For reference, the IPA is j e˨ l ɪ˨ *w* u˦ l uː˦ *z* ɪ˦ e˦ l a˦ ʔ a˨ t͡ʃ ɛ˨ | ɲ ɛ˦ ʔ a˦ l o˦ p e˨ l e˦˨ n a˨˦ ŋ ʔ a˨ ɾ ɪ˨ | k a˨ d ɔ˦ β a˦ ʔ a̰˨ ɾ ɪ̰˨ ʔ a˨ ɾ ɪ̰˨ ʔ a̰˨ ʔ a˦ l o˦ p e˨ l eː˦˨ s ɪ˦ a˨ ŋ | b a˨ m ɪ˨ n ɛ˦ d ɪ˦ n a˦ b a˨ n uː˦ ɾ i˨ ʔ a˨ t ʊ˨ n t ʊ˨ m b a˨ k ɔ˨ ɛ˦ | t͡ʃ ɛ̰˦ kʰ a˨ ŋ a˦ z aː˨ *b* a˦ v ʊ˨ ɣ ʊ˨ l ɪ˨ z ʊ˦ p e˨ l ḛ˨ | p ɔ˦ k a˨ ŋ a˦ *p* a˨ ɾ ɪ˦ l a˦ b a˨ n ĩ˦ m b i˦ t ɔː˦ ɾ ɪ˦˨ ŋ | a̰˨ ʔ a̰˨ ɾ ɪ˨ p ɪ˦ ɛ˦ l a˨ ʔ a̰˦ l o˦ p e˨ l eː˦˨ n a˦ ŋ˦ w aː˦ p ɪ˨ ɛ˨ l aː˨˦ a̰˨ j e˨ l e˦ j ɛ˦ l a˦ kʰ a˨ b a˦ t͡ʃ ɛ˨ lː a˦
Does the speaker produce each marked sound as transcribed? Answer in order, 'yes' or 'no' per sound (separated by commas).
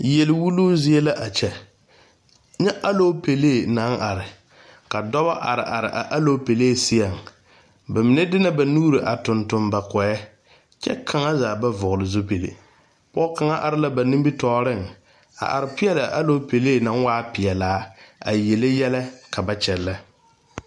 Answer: yes, yes, yes, no